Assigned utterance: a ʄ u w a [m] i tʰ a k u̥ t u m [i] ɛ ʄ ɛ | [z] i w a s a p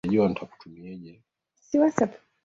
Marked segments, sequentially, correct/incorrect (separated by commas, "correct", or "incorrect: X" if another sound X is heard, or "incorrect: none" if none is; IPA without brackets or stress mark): incorrect: n, correct, incorrect: s